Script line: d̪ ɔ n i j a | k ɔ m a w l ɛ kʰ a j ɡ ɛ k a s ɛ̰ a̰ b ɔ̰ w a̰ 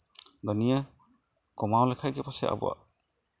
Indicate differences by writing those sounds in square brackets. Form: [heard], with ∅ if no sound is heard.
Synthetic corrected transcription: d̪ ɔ n i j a | k ɔ m a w l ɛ kʰ a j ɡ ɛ [p] a s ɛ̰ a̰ b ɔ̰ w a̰